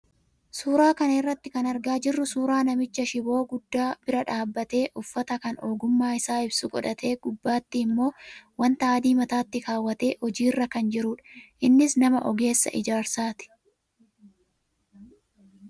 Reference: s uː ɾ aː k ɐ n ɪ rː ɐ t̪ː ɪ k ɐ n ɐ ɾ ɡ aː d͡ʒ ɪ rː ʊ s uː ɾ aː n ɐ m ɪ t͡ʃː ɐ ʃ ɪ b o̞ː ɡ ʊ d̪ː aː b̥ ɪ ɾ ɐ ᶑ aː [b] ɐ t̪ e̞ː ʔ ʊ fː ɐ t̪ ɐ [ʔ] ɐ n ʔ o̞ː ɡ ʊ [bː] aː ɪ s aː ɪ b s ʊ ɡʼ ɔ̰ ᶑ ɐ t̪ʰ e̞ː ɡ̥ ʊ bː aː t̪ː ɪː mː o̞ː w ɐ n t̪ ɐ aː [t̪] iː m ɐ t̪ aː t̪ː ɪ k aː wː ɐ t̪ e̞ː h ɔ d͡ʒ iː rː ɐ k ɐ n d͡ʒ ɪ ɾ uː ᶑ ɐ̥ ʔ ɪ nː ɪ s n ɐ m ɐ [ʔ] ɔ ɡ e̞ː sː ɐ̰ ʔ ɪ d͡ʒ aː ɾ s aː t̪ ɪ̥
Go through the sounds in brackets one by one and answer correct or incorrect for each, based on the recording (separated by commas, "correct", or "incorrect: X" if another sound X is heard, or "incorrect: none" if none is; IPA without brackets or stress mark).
incorrect: bː, incorrect: k, incorrect: mː, incorrect: d̪, correct